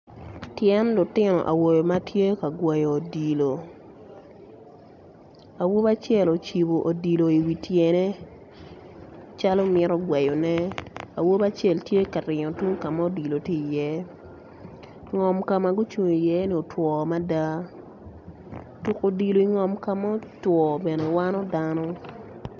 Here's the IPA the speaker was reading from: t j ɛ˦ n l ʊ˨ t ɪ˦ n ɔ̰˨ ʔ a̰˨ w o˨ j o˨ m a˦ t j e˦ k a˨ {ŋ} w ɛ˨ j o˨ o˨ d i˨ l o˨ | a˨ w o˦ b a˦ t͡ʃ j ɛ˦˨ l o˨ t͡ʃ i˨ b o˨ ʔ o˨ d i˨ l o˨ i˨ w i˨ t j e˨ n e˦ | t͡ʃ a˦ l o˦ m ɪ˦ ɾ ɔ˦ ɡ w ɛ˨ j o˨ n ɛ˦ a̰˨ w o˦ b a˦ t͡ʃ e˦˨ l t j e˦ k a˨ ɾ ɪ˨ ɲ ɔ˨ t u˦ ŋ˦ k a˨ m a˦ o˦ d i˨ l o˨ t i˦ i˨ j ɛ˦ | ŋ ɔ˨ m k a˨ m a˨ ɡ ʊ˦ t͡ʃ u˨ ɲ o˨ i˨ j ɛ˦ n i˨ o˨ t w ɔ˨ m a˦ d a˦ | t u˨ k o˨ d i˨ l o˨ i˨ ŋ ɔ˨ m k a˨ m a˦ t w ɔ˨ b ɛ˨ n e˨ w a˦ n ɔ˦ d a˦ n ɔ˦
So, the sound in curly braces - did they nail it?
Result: no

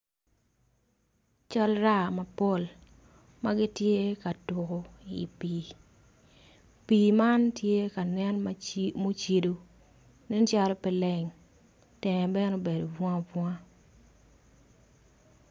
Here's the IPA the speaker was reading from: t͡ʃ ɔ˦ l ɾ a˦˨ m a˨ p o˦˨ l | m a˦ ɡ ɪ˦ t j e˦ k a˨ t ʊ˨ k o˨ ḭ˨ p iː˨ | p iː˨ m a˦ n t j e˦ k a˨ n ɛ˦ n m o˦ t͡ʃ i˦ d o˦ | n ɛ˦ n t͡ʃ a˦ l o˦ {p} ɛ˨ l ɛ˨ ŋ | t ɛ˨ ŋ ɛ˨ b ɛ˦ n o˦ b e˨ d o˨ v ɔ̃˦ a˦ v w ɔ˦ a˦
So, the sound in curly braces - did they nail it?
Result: yes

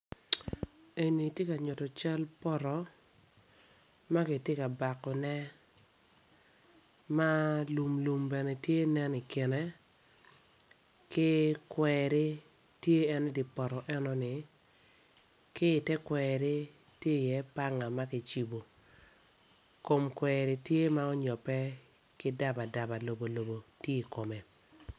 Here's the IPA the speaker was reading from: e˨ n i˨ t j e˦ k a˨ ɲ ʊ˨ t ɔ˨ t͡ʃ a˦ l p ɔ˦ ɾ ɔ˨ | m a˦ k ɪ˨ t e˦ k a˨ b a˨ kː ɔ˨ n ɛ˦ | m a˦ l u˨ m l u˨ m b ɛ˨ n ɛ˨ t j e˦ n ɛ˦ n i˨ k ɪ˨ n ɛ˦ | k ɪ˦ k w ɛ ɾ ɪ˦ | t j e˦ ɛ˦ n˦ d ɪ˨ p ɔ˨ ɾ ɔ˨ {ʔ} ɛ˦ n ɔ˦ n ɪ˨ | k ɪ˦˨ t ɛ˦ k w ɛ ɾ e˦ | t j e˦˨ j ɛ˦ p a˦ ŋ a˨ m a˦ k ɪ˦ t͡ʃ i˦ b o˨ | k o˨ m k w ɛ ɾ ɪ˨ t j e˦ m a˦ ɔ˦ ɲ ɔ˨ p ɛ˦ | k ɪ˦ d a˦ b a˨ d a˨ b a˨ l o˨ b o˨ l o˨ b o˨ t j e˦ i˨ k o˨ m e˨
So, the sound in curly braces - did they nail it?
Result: yes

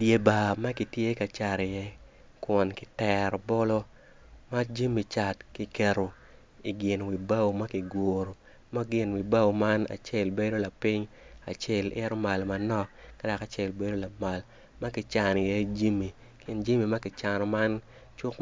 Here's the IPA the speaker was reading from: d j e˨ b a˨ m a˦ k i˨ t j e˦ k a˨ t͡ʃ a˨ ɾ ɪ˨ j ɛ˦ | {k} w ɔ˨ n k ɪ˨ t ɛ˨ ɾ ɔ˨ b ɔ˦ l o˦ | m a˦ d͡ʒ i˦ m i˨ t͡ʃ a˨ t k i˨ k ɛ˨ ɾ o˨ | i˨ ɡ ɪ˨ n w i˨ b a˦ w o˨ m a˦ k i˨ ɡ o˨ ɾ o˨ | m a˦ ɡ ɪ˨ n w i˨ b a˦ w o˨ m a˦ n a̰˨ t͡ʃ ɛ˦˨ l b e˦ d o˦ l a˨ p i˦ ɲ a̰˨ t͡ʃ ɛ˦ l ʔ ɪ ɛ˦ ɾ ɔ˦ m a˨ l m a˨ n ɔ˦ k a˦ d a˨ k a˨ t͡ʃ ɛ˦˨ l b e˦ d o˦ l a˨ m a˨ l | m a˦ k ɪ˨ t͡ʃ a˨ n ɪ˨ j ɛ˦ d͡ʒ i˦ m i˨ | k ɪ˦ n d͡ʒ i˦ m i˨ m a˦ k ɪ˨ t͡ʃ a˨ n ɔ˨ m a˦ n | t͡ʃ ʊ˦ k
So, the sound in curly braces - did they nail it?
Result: yes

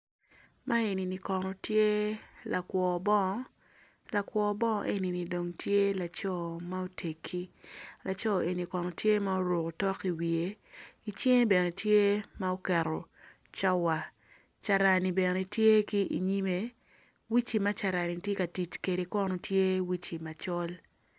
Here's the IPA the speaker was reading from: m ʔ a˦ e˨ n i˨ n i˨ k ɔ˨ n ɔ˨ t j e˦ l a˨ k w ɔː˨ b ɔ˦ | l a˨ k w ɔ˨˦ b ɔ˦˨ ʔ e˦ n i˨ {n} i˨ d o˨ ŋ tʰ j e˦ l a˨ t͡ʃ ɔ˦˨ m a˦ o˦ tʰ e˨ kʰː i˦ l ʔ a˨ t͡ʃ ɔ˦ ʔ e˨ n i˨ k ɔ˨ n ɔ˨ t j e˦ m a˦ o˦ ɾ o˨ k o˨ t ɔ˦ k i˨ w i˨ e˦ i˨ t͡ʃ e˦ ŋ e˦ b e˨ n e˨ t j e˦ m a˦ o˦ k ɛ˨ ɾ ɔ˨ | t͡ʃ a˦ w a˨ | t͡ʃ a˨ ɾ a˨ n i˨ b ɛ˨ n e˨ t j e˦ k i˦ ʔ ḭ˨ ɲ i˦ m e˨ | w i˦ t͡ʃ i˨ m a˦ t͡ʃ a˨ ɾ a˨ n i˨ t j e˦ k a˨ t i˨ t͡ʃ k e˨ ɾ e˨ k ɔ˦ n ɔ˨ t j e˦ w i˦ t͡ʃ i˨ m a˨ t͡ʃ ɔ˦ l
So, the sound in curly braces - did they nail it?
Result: yes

